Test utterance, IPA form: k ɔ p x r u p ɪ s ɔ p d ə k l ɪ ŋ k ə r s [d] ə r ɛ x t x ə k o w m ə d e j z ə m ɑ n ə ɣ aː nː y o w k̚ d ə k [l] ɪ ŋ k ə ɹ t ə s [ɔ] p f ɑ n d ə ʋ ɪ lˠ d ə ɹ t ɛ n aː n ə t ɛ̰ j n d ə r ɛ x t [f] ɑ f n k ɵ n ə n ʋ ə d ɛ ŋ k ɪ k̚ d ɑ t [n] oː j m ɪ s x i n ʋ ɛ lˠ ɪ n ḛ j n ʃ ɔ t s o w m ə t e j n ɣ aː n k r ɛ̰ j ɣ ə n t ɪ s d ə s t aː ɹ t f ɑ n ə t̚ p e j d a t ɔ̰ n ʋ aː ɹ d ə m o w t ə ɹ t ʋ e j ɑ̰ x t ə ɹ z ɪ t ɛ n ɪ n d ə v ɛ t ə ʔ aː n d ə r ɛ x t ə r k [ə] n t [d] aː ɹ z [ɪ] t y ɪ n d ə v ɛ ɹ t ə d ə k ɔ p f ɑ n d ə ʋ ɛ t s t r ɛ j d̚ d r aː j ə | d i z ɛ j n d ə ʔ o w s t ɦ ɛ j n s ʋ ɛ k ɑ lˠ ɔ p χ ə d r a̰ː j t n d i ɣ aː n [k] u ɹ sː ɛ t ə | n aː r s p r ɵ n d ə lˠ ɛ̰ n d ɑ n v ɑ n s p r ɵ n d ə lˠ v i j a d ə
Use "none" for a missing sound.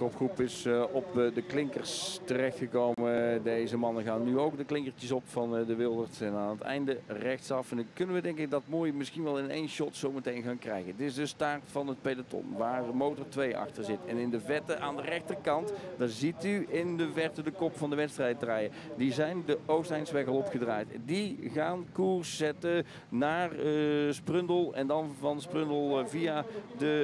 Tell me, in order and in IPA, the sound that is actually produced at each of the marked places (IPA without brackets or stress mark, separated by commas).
t, l, ɔ, s, m, ɑ, d, i, k